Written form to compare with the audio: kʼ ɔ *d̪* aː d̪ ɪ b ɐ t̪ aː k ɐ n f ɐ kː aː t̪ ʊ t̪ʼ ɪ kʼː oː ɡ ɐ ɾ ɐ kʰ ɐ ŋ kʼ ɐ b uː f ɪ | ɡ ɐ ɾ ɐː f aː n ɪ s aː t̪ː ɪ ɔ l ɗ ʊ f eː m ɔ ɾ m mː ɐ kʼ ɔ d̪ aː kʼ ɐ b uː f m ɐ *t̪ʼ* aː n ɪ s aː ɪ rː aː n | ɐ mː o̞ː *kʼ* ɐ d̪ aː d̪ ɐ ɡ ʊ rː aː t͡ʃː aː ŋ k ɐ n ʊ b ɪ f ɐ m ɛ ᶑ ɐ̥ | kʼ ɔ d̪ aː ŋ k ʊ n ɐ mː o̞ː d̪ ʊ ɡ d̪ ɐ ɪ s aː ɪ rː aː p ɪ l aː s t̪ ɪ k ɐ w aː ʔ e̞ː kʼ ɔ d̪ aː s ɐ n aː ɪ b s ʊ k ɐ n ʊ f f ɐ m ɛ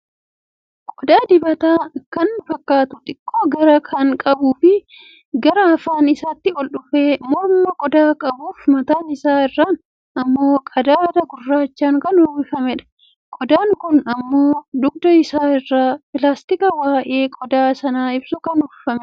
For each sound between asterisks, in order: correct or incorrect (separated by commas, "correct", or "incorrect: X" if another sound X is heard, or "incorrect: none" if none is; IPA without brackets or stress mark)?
correct, incorrect: t̪, correct